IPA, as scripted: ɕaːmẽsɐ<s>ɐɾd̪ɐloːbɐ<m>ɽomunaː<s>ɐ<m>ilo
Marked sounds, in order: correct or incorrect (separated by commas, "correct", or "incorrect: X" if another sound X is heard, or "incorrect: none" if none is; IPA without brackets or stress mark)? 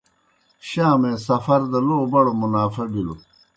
incorrect: f, incorrect: none, incorrect: f, incorrect: b